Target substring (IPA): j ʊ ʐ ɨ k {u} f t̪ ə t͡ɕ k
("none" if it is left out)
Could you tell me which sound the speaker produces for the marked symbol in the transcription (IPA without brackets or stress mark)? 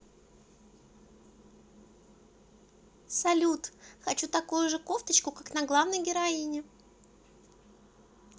o